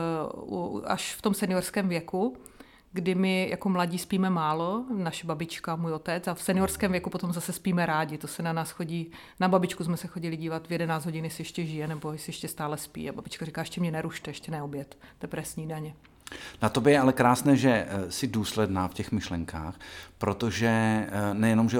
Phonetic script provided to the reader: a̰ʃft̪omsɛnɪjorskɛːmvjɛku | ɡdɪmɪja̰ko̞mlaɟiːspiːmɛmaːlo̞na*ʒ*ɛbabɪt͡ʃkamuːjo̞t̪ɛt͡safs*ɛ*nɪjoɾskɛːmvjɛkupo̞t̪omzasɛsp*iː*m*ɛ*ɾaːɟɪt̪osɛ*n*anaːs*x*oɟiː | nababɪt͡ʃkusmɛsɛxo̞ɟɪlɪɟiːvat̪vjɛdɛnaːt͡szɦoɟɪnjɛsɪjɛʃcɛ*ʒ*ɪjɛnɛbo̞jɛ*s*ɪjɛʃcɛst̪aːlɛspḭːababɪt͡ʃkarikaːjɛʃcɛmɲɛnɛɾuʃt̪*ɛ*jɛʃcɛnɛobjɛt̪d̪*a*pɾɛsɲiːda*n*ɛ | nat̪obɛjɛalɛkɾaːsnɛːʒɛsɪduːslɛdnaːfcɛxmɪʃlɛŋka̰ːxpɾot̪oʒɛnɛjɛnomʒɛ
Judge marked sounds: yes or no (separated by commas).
no, yes, yes, yes, yes, yes, yes, yes, yes, no, no